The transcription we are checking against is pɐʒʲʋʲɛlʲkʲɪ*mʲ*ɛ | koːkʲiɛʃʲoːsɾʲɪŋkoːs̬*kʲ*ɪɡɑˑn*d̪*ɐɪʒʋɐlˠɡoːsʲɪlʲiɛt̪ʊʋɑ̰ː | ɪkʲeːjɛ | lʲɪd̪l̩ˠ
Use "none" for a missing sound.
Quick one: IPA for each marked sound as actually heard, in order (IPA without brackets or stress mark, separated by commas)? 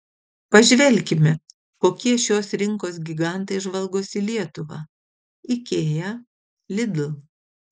mʲ, ɡʲ, t̪